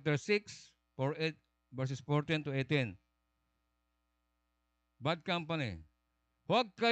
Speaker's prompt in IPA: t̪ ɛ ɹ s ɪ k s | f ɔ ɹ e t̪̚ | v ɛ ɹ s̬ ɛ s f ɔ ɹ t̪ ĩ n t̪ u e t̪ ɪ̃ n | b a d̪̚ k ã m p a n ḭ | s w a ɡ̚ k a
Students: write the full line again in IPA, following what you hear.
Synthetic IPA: t̪ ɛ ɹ s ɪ k s | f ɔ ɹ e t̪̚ | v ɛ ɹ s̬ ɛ s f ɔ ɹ t̪ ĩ n t̪ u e t̪ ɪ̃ n | b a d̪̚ k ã m p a n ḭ | h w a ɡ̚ k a